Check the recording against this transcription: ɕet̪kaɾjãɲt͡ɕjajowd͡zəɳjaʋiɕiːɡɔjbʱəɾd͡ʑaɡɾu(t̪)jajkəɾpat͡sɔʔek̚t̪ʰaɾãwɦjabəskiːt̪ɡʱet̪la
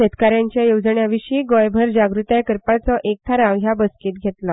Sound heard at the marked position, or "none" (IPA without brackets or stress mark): t̪